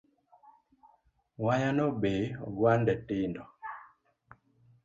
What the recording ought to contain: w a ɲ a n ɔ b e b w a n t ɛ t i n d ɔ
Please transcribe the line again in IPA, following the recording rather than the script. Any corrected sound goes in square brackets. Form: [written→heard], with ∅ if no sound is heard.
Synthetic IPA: w a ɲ a n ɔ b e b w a n [t→d] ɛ t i n d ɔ